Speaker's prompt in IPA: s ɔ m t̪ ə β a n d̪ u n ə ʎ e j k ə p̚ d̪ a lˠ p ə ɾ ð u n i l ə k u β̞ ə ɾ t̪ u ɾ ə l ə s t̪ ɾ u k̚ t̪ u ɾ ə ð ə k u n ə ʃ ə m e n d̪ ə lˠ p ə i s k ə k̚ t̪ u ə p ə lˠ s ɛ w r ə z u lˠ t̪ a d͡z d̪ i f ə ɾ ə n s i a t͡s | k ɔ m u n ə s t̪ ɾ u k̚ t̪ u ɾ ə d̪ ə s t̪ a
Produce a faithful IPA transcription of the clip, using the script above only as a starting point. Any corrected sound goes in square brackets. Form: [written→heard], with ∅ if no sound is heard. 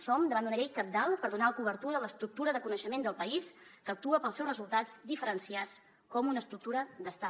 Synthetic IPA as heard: s ɔ m [t̪→d̪] ə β a n d̪ u n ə ʎ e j k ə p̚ d̪ a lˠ p ə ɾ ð u n [i→a] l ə k u β̞ ə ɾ t̪ u ɾ ə l ə s t̪ ɾ u k̚ t̪ u ɾ ə ð ə k u n ə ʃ ə m e n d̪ ə lˠ p ə i s k ə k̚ t̪ u ə p ə lˠ s ɛ w r ə z u lˠ t̪ a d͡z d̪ i f ə ɾ ə n s i a t͡s | k ɔ m u n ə s t̪ ɾ u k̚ t̪ u ɾ ə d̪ ə s t̪ a